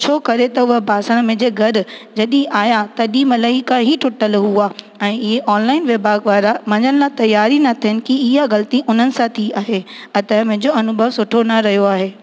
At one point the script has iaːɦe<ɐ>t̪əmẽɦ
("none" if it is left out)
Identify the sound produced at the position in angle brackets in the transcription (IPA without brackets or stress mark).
ɐ